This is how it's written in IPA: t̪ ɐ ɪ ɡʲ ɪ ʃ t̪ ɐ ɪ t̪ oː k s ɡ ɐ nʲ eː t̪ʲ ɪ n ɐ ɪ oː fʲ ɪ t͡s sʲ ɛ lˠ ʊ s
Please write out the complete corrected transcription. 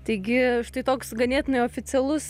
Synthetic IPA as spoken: t̪ ɐ ɪ ɡʲ ɪ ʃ t̪ ɐ ɪ t̪ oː k s ɡ ɐ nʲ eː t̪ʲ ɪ n ɐ ɪ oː fʲ ɪ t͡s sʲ ɛ lˠ ʊ s

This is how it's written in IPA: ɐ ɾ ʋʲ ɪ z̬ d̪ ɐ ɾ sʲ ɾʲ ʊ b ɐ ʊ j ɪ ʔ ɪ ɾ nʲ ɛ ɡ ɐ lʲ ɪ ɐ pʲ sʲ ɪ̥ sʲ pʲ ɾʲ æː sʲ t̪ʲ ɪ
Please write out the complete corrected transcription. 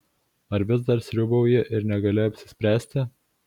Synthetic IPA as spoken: ɐ ɾ ʋʲ ɪ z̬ d̪ ɐ ɾ sʲ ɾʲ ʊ b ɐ ʊ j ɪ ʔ ɪ ɾ nʲ ɛ ɡ ɐ lʲ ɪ ɐ pʲ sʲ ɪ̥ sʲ pʲ ɾʲ æː sʲ t̪ʲ ɪ

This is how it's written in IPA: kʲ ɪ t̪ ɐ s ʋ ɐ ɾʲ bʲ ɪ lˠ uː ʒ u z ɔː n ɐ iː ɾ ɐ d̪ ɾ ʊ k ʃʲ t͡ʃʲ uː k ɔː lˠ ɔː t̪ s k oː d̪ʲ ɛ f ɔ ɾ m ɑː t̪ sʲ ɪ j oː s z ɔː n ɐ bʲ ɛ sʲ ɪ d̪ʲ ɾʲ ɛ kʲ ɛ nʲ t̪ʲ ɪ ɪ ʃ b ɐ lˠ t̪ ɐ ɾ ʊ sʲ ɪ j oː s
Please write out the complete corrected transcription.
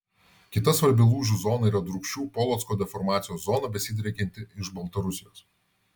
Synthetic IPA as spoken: kʲ ɪ t̪ ɐ s ʋ ɐ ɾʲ bʲ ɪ lˠ uː ʒ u z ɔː n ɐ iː ɾ ɐ d̪ ɾ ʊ k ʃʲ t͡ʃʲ uː p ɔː lˠ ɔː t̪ s k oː d̪ʲ ɛ f ɔ ɾ m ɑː t̪ sʲ ɪ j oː s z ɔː n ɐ bʲ ɛ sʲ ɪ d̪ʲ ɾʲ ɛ kʲ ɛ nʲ t̪ʲ ɪ ɪ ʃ b ɐ lˠ t̪ ɐ ɾ ʊ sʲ ɪ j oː s

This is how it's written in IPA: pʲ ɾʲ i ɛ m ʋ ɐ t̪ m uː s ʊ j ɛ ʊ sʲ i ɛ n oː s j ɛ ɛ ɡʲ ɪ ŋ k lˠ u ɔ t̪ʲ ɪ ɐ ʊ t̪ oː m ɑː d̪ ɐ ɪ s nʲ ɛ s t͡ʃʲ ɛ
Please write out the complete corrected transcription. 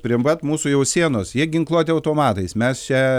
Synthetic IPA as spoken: pʲ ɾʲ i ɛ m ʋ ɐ t̪ m uː s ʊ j ɛ ʊ sʲ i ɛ n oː s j i ɛ ɡʲ ɪ ŋ k lˠ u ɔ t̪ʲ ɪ ɐ ʊ t̪ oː m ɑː t̪ ɐ ɪ s mʲ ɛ s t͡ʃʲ ɛ

